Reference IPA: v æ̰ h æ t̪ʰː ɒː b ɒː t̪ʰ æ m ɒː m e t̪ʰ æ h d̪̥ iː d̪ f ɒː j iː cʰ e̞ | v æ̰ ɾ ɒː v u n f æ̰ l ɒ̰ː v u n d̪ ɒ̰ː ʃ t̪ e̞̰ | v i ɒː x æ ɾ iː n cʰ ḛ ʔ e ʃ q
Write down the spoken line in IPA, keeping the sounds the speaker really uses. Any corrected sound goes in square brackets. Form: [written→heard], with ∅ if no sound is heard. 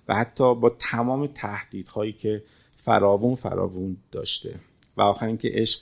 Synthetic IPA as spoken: v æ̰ h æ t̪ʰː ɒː b ɒː t̪ʰ æ m ɒː m e t̪ʰ æ h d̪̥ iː d̪ [f→h] ɒː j iː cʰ e̞ | [v→f] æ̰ ɾ ɒː v u n f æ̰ [l→ɾ] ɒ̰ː v u n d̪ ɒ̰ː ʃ t̪ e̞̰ | v [i→æ] ɒː x æ ɾ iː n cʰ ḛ ʔ e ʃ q